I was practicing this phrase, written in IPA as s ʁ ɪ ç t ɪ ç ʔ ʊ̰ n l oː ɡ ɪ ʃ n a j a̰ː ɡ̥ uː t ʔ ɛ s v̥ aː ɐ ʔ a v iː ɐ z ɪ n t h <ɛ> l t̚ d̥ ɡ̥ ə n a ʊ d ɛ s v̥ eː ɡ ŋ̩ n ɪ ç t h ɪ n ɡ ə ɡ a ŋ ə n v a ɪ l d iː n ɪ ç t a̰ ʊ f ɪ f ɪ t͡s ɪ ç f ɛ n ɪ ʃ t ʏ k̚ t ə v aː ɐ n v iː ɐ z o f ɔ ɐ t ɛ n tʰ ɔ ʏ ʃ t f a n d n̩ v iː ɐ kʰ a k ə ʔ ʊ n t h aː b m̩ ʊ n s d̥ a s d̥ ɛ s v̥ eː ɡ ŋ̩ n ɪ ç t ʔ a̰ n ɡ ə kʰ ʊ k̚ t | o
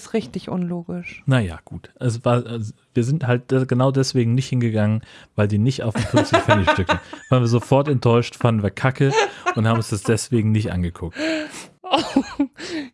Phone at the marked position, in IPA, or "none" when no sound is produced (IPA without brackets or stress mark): a